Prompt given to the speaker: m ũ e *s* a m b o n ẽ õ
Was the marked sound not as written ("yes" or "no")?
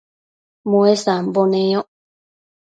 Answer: no